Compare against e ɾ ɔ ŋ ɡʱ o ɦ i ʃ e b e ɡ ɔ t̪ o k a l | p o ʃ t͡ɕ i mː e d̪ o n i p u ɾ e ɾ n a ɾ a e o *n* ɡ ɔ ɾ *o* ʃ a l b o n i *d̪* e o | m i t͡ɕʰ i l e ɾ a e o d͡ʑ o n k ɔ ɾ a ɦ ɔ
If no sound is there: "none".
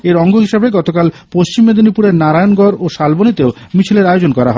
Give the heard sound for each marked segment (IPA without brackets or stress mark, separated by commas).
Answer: n, o, t̪